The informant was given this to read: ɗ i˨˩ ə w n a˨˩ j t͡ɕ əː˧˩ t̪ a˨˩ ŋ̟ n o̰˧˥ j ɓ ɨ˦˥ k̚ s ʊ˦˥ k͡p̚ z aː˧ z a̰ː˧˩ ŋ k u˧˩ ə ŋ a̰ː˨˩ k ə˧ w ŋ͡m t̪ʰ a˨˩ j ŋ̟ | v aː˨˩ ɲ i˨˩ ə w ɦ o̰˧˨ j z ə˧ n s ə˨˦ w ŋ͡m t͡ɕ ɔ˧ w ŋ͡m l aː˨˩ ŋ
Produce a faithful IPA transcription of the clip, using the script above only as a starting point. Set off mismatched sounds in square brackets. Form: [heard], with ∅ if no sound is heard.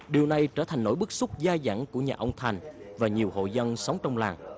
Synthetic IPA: ɗ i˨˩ ə w n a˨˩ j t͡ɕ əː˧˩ [t̪ʰ] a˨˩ ŋ̟ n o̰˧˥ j ɓ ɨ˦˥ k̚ s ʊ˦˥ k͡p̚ z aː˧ z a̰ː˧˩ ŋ k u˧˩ ə [ɲ] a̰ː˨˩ [ʔ] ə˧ w ŋ͡m t̪ʰ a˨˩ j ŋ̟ | v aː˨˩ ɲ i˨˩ ə w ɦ o̰˧˨ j z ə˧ n s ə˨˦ w ŋ͡m t͡ɕ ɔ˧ w ŋ͡m l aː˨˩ ŋ